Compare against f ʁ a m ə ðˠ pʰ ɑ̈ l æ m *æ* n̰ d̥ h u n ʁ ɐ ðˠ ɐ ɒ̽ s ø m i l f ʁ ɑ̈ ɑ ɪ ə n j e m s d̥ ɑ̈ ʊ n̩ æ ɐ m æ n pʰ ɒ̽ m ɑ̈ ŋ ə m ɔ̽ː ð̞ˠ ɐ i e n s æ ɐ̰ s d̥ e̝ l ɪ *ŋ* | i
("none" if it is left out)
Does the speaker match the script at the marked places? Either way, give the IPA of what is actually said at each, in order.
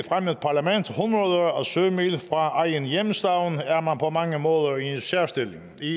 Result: e, ŋ

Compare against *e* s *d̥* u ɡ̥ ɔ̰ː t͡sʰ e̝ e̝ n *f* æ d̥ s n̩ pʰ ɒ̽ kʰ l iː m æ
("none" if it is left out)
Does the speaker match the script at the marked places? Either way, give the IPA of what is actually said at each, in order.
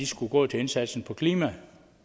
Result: i, ɡ̥, s

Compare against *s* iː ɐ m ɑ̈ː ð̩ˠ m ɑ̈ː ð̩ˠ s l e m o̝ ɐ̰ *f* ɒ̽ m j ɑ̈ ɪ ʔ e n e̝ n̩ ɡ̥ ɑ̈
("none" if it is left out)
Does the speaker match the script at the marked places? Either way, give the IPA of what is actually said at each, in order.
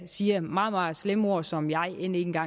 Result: s, s

